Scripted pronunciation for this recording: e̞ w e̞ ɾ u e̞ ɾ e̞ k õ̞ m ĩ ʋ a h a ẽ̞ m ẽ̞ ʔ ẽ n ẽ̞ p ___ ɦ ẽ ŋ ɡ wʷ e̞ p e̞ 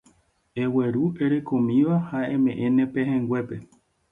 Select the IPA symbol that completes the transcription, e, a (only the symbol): e